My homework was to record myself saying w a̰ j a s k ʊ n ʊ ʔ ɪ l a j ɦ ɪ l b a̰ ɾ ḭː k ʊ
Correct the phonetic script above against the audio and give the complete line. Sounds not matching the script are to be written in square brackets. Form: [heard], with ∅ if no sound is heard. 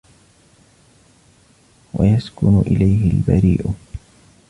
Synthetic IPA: w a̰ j a s k ʊ n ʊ ʔ ɪ l a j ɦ ɪ l b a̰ ɾ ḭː [ʔ] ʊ

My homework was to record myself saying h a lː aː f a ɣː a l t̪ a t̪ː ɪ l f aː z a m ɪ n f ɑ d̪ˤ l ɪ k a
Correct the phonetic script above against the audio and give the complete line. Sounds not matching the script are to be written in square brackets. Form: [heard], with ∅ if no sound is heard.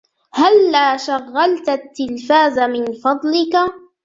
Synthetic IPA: h a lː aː [ʃ] a ɣː a l t̪ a t̪ː ɪ l f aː z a m ɪ n f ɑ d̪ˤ l ɪ k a

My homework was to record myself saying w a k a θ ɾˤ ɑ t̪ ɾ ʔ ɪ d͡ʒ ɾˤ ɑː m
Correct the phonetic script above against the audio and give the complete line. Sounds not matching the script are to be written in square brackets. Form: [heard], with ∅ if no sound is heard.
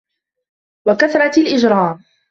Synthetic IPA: w a k a θ ɾˤ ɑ t̪ [l] ʔ ɪ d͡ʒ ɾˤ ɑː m

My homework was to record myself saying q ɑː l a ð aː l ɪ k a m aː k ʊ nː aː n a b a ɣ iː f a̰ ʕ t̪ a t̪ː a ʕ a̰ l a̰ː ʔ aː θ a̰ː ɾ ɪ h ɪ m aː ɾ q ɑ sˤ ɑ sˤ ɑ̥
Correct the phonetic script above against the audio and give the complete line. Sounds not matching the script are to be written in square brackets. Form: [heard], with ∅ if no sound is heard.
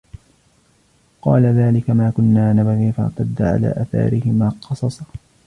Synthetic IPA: q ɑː l a ð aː l ɪ k a m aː k ʊ nː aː n a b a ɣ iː f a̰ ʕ t̪ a [d̪ː] a ʕ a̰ l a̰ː ʔ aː θ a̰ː ɾ ɪ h ɪ m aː [∅] q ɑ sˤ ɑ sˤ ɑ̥

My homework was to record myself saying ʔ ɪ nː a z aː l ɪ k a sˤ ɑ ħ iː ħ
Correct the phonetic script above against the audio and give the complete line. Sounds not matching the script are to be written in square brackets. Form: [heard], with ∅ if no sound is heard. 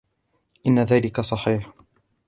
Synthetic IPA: ʔ ɪ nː a [ð] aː l ɪ k a sˤ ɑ ħ iː ħ

